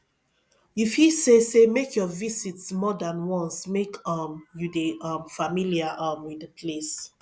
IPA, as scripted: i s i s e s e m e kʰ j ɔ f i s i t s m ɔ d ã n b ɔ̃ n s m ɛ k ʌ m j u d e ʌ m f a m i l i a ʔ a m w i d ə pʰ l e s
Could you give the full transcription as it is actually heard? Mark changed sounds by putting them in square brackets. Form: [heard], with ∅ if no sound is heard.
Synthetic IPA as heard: i [f] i s e s e m e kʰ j ɔ [v] i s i t s m ɔ d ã n [w] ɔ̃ n s m [e] k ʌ m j u d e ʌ m f a m i l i a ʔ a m w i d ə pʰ l e s